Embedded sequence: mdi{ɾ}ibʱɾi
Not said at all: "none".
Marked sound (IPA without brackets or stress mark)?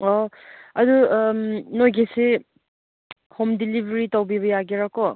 l